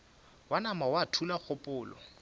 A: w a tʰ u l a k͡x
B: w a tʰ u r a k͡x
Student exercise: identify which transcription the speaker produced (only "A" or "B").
A